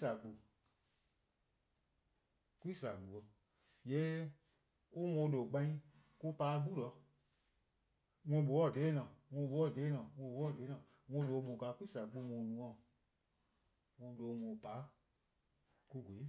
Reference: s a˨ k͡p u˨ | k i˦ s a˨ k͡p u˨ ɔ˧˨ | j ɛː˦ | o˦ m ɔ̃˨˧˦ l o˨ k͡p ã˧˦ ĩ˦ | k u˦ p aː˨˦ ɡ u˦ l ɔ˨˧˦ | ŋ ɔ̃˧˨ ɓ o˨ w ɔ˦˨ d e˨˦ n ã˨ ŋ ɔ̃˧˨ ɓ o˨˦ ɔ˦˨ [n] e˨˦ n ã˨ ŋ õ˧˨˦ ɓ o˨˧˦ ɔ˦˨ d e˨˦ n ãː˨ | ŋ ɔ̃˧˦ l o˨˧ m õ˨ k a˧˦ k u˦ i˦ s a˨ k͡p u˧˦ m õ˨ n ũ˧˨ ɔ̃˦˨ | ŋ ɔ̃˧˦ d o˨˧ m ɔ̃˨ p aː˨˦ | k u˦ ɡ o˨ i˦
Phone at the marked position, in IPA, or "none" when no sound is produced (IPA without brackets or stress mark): d